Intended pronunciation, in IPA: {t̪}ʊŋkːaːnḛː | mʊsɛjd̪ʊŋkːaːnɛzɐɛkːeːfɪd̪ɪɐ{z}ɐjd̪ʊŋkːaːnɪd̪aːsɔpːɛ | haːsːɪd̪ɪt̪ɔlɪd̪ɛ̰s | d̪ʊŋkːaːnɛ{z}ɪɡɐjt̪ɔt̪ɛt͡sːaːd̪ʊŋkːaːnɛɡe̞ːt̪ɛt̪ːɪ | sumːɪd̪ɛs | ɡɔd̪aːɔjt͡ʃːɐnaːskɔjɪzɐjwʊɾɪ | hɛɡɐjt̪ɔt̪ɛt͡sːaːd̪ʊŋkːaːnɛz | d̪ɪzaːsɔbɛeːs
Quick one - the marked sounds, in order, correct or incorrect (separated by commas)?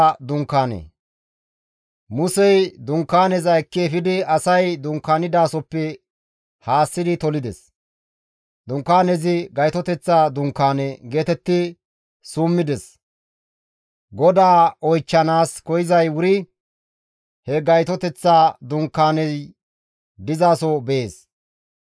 incorrect, incorrect, correct